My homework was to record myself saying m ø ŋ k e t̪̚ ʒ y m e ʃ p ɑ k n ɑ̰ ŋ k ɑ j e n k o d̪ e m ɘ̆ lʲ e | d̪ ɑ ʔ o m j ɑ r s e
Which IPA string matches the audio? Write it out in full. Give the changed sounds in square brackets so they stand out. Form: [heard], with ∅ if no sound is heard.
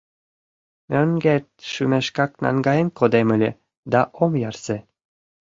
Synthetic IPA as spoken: m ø ŋ [ɡ] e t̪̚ [ʃ] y m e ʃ [k] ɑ k n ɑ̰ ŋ [ɡ] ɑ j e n k o d̪ e m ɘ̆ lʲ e | d̪ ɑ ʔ o m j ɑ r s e